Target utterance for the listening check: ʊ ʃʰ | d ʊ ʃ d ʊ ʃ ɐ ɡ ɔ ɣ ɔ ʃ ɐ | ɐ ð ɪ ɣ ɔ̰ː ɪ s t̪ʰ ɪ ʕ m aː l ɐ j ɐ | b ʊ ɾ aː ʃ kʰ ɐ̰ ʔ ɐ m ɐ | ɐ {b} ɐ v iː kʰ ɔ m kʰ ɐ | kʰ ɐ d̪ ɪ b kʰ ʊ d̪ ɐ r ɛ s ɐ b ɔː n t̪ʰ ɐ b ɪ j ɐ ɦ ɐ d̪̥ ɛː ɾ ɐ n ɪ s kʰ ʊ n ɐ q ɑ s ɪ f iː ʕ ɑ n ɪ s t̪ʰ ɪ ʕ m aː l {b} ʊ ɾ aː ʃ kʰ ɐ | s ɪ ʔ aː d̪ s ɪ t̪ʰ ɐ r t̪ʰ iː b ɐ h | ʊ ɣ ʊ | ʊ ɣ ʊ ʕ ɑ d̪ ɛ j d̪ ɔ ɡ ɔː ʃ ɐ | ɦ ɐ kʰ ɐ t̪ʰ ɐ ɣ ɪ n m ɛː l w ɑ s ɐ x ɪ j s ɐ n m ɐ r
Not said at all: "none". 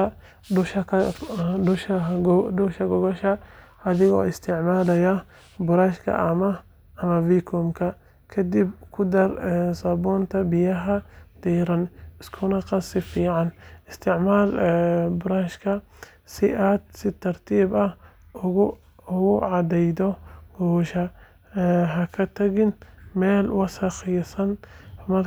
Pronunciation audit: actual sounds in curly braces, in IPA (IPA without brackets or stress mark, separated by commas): m, b